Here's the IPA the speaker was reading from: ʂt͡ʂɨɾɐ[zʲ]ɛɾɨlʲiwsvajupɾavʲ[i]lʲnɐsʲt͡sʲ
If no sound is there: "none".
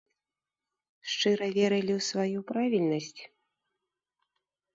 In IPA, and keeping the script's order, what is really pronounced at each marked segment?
vʲ, i

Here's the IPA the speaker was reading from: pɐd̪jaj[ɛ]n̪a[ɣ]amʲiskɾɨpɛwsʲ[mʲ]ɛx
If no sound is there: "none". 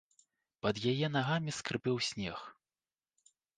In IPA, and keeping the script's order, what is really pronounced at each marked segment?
ɛ, ɣ, nʲ

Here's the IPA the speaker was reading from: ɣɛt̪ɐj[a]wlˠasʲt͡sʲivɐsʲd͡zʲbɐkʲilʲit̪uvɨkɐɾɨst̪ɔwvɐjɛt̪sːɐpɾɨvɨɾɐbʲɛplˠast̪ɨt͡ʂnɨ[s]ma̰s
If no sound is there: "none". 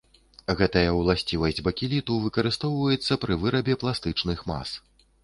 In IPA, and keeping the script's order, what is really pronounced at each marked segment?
ɐ, x

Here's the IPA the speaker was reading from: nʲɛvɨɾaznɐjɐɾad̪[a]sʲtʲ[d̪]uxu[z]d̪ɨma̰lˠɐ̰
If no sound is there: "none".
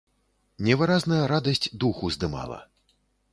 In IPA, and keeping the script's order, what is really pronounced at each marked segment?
ɐ, d̪, z

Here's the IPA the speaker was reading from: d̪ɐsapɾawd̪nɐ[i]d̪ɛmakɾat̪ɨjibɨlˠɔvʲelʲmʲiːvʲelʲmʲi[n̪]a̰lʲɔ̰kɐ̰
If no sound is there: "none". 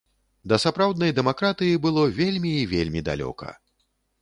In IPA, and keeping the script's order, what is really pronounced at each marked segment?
j, d̪

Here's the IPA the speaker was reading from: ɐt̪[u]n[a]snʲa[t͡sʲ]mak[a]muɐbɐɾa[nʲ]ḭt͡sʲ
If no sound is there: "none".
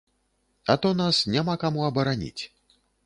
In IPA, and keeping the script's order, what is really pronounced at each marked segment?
ɔ, a, none, a, nʲ

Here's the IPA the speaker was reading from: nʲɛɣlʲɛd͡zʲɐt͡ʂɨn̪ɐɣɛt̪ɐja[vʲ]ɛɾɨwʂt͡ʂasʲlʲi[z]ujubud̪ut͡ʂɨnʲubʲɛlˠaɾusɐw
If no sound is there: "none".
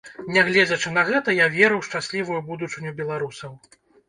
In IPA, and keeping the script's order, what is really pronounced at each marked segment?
vʲ, v

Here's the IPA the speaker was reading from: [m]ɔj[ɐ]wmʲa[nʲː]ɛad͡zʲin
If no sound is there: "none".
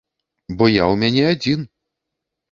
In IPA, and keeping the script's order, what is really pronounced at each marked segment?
b, a, nʲ

